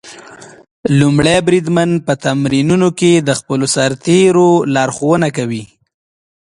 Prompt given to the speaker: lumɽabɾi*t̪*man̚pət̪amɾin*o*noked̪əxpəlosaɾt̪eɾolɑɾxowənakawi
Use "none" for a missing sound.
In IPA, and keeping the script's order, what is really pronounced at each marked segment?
d̪, u

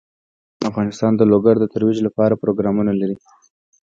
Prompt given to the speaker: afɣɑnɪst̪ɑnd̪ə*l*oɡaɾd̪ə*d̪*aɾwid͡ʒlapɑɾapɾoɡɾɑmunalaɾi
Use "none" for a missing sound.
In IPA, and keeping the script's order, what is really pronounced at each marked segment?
l, t̪

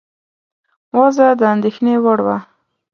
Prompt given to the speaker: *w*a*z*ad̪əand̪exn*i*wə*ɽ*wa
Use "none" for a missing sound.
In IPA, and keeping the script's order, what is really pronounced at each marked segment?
w, z, e, ɽ

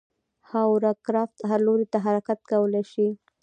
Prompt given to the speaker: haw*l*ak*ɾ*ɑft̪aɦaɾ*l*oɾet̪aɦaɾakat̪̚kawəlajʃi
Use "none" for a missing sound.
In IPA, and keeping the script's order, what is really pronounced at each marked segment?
ɾ, ɾ, l

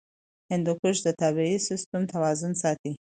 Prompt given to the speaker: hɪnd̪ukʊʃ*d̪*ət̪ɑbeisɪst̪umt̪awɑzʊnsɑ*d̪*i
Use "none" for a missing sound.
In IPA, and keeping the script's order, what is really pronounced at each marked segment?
d̪, t̪

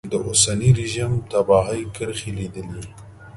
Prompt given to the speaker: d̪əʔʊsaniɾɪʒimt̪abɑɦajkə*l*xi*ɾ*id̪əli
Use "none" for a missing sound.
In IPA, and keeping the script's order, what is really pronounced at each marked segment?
ɾ, l

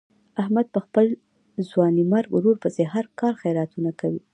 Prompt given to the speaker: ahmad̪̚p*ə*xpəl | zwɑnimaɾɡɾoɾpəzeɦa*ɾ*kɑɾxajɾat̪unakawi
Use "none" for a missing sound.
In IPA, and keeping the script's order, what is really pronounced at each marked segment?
ə, ɾ

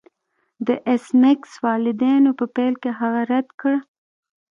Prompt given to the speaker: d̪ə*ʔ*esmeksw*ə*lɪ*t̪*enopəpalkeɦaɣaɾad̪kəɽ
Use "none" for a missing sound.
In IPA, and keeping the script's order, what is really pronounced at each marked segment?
ʔ, ɑ, d̪

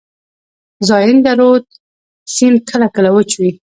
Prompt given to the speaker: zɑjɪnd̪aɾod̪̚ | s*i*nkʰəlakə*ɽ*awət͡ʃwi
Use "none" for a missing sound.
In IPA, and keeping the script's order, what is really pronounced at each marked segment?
i, l

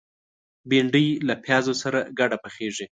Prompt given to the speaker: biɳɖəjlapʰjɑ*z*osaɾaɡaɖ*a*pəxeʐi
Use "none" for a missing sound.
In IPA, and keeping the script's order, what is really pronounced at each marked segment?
z, a

